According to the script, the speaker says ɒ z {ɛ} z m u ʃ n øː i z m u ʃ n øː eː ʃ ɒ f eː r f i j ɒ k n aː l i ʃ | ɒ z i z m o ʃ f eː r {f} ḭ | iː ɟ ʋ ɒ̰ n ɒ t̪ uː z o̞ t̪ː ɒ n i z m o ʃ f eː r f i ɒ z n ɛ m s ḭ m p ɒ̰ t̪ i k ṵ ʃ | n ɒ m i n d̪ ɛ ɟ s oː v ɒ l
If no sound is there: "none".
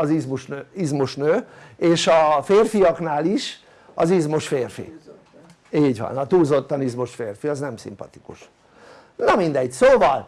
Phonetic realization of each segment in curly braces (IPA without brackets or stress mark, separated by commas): i, f